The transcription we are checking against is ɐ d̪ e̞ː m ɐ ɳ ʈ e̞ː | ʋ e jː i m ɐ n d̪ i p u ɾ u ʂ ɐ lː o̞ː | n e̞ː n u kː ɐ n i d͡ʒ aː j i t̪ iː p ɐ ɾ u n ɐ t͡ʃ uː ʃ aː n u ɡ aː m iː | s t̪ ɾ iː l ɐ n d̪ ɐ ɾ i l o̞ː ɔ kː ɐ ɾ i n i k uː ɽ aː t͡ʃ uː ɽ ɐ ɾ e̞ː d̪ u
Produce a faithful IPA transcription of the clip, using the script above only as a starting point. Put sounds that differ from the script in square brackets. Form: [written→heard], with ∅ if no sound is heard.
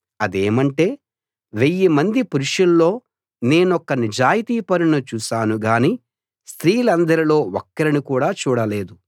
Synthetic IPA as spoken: ɐ d̪ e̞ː m ɐ ɳ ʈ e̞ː | ʋ e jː i m ɐ n d̪ i p u ɾ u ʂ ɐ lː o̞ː | n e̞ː n [u→ɔ] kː ɐ n i d͡ʒ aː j i t̪ iː p ɐ ɾ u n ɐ t͡ʃ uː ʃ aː n u ɡ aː [m→n] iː | s t̪ ɾ iː l ɐ n d̪ ɐ ɾ i l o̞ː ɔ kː ɐ ɾ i n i k uː ɽ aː t͡ʃ uː ɽ ɐ [ɾ→l] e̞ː d̪ u

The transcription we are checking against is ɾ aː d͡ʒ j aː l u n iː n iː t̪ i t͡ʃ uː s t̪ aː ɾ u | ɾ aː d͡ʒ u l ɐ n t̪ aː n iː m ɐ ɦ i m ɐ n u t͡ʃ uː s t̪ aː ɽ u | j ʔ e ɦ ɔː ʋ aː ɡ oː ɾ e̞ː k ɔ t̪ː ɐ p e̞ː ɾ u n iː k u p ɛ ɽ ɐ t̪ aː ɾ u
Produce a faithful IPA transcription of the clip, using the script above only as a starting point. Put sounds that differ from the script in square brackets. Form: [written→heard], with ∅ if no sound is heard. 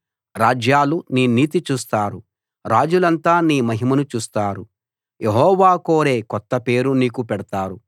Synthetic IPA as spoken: ɾ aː d͡ʒ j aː l u n iː n iː t̪ i t͡ʃ uː s t̪ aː ɾ u | ɾ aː d͡ʒ u l ɐ n t̪ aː n iː m ɐ ɦ i m ɐ n u t͡ʃ uː s t̪ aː [ɽ→ɾ] u | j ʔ e ɦ ɔː ʋ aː [ɡ→k] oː ɾ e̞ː k ɔ t̪ː ɐ p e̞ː ɾ u n iː k u p ɛ ɽ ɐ t̪ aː ɾ u

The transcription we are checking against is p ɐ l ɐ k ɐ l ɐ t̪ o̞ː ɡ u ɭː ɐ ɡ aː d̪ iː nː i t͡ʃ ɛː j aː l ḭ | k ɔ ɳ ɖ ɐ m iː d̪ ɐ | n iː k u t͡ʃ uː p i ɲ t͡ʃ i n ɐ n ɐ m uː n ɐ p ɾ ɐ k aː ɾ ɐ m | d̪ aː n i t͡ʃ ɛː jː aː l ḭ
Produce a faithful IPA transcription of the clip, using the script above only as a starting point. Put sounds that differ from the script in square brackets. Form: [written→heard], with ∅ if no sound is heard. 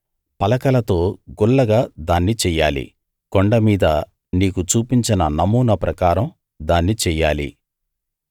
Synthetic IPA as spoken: p ɐ l ɐ k ɐ l ɐ t̪ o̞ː ɡ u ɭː ɐ ɡ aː d̪ [iː→aː] nː i t͡ʃ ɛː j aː l ḭ | k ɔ ɳ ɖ ɐ m iː d̪ ɐ | n iː k u t͡ʃ uː p i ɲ t͡ʃ i n ɐ n ɐ m uː n ɐ p ɾ ɐ k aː ɾ ɐ m | d̪ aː [n→nː] i t͡ʃ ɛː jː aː l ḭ

